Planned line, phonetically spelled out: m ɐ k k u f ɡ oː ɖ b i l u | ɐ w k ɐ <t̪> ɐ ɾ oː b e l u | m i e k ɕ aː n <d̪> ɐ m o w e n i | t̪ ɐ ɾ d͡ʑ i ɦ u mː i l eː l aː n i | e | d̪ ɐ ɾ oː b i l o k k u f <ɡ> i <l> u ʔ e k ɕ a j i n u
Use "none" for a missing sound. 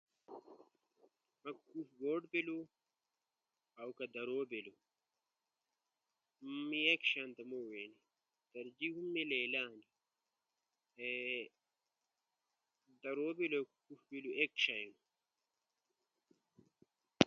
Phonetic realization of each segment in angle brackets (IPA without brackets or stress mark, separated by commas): d̪, t̪, b, l